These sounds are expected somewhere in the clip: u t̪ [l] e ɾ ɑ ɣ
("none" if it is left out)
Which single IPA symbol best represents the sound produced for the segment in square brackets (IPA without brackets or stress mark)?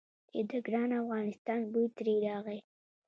ɾ